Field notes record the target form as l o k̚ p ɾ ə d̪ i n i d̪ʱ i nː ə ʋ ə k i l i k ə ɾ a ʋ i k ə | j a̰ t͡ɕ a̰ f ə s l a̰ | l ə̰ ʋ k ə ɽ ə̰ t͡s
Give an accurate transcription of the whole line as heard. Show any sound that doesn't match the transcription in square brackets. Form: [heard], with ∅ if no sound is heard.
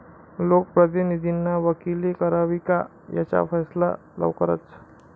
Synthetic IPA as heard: l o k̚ p ɾ ə d̪ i n i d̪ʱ i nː [a] ʋ ə k i l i k ə ɾ a ʋ i k [a] | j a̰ t͡ɕ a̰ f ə s l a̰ | l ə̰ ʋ k ə [ɾ] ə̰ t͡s